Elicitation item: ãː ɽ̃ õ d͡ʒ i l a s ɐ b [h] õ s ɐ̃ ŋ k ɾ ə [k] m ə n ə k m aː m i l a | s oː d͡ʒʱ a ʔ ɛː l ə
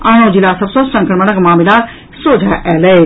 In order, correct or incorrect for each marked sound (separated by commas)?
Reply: incorrect, incorrect